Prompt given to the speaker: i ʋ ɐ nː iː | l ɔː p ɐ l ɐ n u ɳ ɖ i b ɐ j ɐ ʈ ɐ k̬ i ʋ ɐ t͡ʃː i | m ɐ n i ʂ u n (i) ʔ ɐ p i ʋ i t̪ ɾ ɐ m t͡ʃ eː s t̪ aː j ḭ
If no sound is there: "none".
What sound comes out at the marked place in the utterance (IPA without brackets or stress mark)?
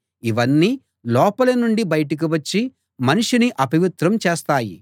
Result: i